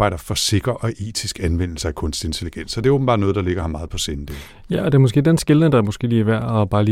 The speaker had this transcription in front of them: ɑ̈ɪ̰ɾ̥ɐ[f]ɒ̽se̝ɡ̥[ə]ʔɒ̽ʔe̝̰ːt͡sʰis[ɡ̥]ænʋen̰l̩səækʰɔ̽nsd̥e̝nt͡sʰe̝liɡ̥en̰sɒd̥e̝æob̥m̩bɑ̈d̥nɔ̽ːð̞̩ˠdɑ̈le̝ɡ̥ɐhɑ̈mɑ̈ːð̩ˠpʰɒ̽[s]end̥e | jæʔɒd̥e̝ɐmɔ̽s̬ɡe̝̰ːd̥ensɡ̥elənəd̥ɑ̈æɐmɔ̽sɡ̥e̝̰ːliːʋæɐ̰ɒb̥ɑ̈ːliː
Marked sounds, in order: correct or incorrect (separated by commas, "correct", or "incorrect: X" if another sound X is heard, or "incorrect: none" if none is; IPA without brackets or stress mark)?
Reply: correct, incorrect: ɐ, correct, correct